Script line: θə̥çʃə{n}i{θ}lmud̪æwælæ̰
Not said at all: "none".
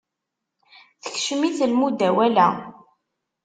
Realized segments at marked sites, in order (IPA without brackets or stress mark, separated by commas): m, θ